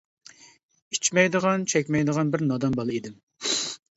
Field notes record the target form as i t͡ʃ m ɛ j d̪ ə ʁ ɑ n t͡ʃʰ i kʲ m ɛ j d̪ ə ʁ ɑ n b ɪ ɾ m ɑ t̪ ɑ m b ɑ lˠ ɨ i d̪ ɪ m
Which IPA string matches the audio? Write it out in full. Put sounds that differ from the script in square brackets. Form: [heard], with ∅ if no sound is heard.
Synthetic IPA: i t͡ʃ m ɛ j d̪ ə ʁ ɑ n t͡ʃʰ [ɛ] kʲ m ɛ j d̪ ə ʁ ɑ n b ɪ ɾ [n] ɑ [d̪] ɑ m b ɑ lˠ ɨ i d̪ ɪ m